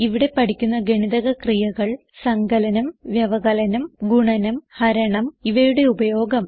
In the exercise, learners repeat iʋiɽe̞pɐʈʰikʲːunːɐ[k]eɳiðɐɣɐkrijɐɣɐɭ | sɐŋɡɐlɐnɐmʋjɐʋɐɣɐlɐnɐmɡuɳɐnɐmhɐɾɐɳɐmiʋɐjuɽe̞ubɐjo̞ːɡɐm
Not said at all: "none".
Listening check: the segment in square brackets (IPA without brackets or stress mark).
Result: ɡ